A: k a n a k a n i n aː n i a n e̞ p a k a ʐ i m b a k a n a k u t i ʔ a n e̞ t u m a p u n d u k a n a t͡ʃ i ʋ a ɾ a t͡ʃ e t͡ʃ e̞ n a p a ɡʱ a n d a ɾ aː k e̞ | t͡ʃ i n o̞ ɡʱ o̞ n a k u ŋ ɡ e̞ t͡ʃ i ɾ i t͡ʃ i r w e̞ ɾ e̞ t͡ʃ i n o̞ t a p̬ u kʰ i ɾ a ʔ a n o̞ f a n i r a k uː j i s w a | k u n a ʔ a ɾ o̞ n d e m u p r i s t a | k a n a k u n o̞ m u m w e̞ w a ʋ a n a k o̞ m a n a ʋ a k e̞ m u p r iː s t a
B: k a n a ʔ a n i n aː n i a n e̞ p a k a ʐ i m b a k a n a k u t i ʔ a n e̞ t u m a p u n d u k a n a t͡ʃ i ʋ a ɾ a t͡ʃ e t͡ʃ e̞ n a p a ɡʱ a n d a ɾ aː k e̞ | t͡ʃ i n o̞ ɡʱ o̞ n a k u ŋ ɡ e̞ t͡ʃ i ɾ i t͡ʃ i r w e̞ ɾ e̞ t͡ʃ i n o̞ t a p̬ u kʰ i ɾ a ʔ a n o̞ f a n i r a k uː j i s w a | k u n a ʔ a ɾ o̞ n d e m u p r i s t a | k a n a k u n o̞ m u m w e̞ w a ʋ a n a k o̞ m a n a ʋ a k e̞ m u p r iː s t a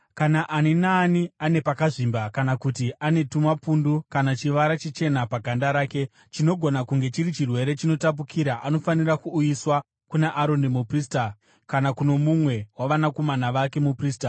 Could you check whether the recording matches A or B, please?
B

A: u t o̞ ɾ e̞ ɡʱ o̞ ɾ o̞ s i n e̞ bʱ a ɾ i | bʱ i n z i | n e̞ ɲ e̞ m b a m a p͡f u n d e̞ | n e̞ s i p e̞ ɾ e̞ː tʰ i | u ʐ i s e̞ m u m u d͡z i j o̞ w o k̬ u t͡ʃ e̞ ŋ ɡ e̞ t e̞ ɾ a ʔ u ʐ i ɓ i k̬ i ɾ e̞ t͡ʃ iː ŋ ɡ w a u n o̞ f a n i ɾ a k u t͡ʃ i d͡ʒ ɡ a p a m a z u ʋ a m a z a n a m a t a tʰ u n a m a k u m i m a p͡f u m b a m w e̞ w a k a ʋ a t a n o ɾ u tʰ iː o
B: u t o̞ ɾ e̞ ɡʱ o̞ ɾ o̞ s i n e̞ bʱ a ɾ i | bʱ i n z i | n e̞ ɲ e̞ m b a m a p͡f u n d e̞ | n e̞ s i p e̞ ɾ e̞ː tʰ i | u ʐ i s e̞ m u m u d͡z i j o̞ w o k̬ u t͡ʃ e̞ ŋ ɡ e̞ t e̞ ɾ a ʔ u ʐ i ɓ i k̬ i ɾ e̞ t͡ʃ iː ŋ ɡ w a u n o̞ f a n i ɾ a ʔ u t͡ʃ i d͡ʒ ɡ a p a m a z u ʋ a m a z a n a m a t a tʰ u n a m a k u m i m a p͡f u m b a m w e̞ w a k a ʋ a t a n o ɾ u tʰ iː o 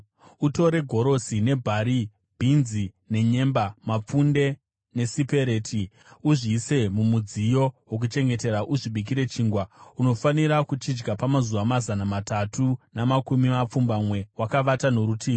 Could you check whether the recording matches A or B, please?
A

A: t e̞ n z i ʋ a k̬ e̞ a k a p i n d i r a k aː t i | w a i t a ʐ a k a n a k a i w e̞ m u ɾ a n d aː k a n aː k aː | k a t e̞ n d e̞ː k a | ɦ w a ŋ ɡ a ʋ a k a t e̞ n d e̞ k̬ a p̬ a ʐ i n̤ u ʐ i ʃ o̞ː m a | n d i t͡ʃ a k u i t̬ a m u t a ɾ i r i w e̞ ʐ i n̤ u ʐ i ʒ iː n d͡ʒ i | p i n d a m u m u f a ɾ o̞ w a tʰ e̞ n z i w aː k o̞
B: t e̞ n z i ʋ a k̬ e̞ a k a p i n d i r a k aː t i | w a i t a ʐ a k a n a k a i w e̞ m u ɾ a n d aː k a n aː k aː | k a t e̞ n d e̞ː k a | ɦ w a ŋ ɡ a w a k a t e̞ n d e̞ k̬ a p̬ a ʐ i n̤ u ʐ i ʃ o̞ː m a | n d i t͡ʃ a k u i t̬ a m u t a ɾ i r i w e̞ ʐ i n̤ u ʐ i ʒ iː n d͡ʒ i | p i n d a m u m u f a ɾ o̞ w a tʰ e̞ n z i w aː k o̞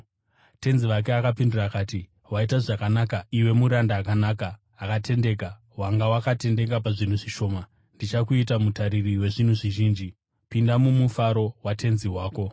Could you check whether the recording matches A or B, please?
B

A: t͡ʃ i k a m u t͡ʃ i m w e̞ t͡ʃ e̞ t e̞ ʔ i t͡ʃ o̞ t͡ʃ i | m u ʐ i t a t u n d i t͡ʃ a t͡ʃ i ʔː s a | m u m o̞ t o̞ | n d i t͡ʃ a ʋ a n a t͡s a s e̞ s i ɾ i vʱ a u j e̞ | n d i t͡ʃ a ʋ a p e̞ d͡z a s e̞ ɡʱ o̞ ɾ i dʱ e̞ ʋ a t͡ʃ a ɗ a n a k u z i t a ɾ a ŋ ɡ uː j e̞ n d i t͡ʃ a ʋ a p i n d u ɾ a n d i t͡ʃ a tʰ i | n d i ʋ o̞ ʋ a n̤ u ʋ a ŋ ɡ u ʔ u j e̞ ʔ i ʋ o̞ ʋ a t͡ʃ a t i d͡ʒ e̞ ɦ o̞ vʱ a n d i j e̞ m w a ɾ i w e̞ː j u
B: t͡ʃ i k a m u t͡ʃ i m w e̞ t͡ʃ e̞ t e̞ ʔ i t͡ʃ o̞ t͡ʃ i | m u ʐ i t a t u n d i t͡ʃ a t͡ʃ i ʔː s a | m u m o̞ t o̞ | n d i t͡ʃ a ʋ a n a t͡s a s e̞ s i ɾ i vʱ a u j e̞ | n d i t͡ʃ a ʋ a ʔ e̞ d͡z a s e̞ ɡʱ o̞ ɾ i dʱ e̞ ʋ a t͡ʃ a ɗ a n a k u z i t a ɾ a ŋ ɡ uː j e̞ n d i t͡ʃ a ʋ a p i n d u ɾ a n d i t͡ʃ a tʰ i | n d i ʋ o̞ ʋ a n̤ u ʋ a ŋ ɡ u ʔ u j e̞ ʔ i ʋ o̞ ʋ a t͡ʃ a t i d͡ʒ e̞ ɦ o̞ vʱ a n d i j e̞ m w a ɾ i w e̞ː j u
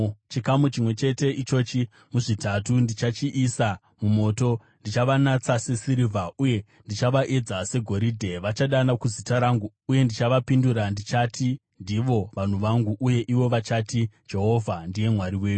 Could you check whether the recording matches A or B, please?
B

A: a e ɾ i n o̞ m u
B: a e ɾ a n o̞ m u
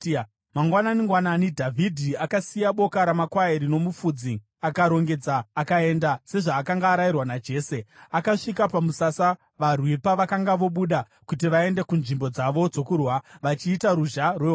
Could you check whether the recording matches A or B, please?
A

